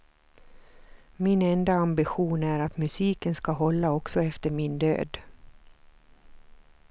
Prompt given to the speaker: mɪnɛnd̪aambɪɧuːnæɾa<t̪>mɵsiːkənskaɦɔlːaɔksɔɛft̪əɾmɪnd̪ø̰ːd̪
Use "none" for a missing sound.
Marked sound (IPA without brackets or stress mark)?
t̪